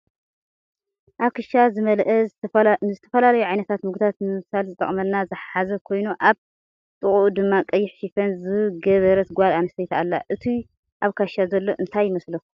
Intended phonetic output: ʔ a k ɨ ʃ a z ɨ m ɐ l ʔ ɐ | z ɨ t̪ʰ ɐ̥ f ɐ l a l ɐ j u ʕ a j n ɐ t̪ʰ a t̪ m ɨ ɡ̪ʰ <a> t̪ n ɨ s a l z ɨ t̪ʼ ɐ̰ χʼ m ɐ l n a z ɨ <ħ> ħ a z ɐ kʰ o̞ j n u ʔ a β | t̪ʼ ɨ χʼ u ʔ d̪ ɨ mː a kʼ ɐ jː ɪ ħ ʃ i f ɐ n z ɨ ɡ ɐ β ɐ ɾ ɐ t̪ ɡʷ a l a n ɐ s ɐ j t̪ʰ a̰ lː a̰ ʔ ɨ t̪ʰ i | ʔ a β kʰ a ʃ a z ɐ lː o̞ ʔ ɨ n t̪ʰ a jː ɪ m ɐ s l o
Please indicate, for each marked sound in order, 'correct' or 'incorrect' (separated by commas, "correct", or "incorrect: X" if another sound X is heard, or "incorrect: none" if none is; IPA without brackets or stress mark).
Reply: correct, correct